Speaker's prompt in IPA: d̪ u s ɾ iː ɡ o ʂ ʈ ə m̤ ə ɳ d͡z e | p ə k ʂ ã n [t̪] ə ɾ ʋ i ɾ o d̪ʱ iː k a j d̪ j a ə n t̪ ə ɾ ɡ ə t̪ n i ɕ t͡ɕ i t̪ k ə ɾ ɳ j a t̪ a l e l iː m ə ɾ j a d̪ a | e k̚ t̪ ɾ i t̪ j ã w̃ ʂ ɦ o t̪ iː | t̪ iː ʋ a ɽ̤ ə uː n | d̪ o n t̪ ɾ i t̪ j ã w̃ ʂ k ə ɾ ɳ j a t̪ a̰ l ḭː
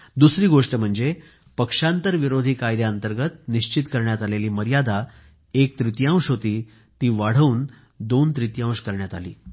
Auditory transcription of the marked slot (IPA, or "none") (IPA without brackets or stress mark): t̪